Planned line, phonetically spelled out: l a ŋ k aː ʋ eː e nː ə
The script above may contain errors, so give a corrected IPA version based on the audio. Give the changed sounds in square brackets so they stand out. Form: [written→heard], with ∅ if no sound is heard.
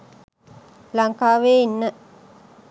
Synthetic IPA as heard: l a ŋ k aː ʋ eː [e→i] nː ə